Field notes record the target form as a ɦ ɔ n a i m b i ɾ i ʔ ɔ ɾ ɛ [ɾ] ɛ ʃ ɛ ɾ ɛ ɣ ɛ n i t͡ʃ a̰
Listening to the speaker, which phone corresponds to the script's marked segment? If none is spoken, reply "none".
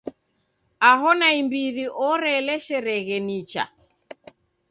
l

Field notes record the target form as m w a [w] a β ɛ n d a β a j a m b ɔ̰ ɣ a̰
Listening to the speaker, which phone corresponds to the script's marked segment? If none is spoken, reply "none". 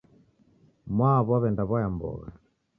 β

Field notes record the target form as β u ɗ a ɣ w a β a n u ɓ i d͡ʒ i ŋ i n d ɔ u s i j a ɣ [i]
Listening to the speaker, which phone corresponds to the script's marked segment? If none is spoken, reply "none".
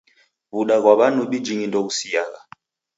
a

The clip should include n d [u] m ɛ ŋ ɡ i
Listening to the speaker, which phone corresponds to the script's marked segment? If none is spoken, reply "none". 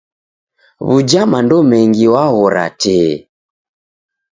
ɔ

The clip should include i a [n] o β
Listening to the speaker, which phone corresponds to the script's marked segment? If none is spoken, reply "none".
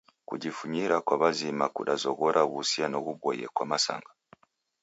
n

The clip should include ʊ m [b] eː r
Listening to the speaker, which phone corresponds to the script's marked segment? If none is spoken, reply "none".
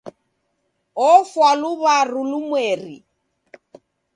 w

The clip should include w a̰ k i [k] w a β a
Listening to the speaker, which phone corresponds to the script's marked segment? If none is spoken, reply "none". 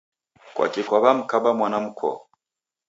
k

